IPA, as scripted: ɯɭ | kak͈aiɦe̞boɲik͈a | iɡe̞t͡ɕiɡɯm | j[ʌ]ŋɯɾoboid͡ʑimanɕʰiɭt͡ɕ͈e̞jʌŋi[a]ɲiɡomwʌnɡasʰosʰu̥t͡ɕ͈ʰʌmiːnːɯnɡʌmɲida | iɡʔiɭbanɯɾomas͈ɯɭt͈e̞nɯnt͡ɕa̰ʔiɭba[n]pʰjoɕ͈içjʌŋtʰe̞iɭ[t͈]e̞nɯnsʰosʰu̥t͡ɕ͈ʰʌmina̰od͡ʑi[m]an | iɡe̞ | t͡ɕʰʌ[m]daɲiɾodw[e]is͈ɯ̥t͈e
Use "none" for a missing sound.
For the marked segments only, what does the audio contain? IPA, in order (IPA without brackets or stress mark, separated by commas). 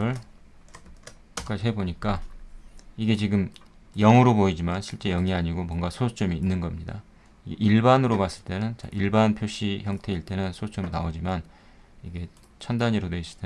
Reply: ʌ, a, n, t͈, m, n, e